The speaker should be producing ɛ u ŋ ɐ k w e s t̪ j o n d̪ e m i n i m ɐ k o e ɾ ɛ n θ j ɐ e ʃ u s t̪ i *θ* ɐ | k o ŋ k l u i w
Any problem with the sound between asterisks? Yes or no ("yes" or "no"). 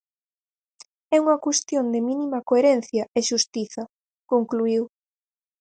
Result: no